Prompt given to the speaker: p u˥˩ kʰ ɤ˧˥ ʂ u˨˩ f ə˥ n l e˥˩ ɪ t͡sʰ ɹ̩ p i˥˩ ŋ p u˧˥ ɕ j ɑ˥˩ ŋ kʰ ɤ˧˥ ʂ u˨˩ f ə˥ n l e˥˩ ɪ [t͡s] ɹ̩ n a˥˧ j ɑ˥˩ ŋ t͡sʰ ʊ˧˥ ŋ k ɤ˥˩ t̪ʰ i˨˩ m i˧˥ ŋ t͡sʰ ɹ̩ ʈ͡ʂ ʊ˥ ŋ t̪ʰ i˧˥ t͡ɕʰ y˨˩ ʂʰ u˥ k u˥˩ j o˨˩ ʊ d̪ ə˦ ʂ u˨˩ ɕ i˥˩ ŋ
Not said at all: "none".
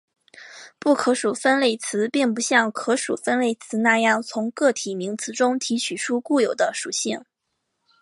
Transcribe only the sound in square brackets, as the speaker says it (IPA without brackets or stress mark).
t͡sʰ